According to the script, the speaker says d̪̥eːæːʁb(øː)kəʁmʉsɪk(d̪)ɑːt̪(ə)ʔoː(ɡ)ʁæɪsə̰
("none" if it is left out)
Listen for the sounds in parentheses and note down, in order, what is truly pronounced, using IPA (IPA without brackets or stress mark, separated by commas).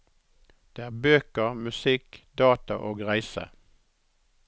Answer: øː, d̪, ɑ, ɡ